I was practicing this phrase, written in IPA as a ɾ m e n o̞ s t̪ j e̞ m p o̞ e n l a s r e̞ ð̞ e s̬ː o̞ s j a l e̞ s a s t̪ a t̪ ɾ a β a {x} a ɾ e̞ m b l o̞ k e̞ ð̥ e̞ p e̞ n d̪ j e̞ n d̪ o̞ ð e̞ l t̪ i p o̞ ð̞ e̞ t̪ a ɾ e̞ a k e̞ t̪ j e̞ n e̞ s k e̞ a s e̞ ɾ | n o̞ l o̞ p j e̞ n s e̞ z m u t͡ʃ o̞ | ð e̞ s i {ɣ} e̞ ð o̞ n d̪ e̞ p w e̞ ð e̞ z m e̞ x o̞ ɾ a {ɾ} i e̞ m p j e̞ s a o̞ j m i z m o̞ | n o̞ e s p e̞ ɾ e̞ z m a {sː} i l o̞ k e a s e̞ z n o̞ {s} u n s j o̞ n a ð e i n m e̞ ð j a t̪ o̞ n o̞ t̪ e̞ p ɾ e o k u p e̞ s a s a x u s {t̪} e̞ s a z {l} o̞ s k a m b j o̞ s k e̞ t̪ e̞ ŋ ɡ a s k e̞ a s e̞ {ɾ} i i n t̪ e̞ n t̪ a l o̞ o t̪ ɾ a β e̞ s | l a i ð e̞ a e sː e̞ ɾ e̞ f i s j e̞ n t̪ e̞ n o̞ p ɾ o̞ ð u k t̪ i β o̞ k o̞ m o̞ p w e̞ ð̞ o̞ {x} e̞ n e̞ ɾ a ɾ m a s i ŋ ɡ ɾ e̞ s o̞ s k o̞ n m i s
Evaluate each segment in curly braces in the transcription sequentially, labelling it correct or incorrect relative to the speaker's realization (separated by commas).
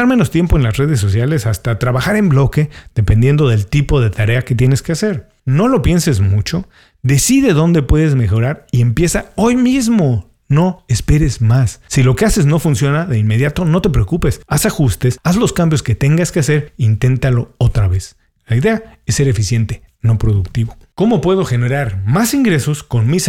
correct, incorrect, correct, correct, incorrect, correct, correct, correct, correct